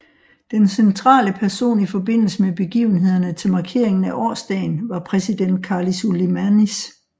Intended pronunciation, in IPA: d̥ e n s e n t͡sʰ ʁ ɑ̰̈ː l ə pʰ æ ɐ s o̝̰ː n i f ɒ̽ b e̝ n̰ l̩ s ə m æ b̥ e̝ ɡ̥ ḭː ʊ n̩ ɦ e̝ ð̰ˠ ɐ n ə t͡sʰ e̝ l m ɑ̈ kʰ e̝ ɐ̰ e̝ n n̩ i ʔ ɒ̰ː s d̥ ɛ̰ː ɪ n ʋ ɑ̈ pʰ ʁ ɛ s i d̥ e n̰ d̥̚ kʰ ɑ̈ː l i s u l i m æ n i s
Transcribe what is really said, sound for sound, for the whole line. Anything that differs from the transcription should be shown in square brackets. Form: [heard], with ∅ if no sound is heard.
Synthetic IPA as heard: d̥ e n s e n t͡sʰ ʁ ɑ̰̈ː l ə pʰ æ ɐ s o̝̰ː n i f ɒ̽ b e̝ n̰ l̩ s ə m [e] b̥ e̝ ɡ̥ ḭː ʊ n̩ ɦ e̝ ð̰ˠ ɐ n ə t͡sʰ e̝ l m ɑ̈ kʰ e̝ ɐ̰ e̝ [ŋ] n̩ [æ] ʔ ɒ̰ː s d̥ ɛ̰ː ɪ n ʋ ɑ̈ pʰ ʁ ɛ s i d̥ e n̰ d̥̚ kʰ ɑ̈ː l i s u l i m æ n i s